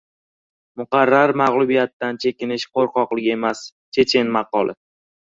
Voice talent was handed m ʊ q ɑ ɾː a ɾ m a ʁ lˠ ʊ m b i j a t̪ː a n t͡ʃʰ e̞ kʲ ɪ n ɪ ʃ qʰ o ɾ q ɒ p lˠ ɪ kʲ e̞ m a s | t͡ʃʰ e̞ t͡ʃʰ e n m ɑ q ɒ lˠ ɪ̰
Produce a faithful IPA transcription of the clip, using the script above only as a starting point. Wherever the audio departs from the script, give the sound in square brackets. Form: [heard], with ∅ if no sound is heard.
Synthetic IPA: m ʊ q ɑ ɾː a ɾ m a ʁ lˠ ʊ [∅] b i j a t̪ː a n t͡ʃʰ e̞ kʲ ɪ n ɪ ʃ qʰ o ɾ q ɒ [q] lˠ ɪ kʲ e̞ m a s | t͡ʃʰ e̞ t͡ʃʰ e n m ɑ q ɒ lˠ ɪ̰